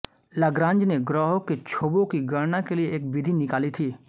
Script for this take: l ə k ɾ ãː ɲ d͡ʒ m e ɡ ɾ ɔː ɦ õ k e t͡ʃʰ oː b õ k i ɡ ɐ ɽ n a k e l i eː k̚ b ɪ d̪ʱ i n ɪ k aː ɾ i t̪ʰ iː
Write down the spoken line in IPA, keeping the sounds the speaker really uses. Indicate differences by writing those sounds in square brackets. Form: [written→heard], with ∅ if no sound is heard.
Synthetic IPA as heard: l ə [k→ɡ] ɾ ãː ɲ d͡ʒ [m→n] e ɡ ɾ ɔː ɦ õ k e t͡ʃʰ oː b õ k i ɡ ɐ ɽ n a k e l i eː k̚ b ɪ d̪ʱ i n ɪ k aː [ɾ→l] i t̪ʰ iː